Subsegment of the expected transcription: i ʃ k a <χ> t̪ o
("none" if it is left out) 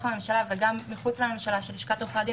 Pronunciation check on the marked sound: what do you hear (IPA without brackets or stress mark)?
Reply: none